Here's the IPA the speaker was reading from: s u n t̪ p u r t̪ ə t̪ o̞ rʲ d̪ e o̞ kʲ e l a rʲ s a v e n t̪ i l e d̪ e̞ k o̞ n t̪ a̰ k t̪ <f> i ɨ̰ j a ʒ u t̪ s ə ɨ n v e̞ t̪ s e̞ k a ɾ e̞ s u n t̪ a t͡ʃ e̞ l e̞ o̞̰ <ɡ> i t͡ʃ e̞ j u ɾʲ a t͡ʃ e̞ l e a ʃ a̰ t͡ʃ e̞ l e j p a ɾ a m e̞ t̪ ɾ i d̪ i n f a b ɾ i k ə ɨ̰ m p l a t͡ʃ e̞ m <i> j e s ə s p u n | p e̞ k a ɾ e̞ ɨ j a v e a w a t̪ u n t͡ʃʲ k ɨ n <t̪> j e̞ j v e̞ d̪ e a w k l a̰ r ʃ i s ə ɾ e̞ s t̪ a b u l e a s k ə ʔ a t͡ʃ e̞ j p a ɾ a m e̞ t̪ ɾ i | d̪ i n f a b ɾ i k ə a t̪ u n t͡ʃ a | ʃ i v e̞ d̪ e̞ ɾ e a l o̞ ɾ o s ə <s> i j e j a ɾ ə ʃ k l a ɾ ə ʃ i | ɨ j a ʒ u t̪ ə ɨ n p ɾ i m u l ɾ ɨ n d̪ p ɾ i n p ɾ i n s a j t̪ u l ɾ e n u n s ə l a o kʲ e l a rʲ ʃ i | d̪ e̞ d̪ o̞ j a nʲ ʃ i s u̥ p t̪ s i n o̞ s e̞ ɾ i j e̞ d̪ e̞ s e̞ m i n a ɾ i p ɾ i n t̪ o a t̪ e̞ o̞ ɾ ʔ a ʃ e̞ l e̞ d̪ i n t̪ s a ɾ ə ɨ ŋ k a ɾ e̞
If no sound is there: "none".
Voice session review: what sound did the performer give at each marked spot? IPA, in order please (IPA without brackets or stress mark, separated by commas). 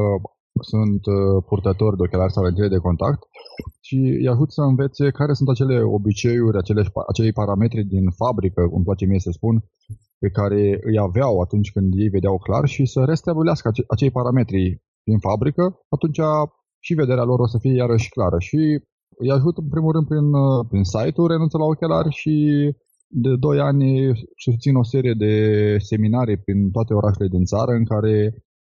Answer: ʃ, b, i, d̪, f